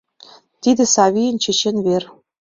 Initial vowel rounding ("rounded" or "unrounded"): unrounded